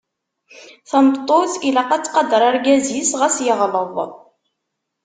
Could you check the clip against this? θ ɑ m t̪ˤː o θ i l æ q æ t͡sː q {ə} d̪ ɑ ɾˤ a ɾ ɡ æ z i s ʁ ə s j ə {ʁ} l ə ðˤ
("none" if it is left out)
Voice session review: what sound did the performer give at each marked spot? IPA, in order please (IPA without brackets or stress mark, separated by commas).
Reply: ɑ, ʁ